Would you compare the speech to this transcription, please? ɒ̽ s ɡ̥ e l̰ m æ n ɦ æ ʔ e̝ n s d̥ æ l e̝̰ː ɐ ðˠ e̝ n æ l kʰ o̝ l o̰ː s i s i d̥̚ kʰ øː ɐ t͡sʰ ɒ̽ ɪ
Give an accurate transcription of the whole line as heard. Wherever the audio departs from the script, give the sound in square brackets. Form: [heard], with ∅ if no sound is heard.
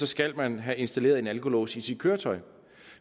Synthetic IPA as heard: ɒ̽ s ɡ̥ [æ] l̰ m æ n ɦ æ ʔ e̝ n s d̥ æ l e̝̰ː ɐ ðˠ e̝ n æ l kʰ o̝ l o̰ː s i s i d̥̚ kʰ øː ɐ t͡sʰ ɒ̽ ɪ